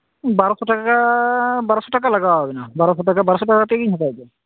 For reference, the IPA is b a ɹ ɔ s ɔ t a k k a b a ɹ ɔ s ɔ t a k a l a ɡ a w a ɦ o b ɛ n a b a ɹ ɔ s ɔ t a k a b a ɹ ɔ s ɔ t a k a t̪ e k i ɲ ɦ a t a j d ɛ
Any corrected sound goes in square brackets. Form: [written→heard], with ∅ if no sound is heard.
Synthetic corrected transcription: b a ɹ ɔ s ɔ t a k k a b a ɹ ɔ s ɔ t a k a l a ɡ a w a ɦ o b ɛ n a b a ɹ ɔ s ɔ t a k a b a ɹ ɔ s ɔ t a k a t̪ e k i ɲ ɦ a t a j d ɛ